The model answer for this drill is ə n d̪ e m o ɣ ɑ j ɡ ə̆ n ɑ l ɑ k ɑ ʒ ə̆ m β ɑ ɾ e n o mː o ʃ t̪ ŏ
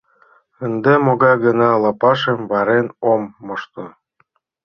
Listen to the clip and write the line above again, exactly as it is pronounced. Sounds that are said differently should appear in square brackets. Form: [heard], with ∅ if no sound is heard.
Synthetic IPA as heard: ə n d̪ e m o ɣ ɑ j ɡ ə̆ n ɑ l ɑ [p] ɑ [ʃ] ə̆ m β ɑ ɾ e n o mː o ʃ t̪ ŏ